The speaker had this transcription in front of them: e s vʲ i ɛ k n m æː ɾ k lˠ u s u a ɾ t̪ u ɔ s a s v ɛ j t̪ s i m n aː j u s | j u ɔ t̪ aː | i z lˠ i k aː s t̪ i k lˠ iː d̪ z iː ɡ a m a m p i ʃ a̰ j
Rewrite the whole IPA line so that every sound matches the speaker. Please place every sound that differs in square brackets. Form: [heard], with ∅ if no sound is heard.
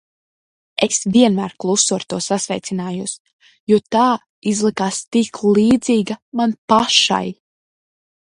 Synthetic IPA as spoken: e s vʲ i ɛ [∅] n m æː ɾ k lˠ u s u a ɾ t̪ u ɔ s a s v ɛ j t̪ s i [∅] n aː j u s | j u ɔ t̪ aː | i z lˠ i k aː s t̪ i k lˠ iː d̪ z iː ɡ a m a [n] p [a] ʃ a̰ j